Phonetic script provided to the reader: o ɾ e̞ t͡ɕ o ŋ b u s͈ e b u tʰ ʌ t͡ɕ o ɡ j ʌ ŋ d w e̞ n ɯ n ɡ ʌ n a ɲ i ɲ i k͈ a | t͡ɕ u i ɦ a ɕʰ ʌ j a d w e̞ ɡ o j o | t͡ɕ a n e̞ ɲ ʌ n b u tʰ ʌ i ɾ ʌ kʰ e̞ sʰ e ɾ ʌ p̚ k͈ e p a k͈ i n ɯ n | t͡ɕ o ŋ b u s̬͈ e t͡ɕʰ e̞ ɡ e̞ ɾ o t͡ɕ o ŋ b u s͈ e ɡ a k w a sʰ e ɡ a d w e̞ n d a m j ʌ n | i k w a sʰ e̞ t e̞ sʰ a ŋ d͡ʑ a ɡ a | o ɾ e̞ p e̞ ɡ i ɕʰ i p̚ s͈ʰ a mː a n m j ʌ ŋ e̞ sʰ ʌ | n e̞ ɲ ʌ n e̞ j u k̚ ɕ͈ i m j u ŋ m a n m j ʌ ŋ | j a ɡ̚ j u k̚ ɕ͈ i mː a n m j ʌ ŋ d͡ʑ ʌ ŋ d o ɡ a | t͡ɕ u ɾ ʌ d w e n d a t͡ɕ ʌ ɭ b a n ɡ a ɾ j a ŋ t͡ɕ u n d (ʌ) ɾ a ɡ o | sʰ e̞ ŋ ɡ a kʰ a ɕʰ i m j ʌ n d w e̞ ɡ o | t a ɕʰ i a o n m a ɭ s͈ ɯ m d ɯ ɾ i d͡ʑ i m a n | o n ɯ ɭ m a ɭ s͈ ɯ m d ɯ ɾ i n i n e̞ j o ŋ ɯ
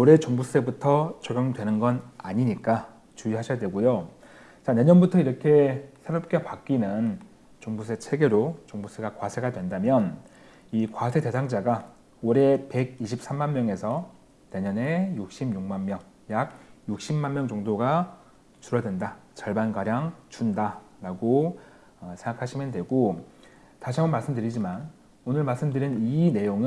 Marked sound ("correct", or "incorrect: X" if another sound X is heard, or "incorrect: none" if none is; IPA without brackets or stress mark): incorrect: a